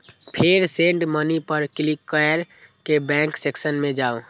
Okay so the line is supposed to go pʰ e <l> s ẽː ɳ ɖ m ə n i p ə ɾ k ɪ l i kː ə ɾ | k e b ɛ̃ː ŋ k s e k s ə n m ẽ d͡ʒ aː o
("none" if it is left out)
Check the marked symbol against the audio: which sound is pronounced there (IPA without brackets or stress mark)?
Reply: ɾ